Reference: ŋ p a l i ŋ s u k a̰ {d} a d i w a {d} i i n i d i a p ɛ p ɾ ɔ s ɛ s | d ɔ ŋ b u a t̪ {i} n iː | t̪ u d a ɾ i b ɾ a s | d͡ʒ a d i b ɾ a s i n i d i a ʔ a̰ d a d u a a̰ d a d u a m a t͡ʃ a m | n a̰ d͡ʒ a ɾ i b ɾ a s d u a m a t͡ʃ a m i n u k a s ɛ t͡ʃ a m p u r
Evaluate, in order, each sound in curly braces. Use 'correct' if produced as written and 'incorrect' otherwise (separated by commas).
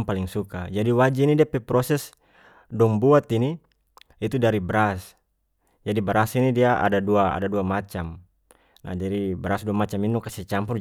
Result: incorrect, incorrect, correct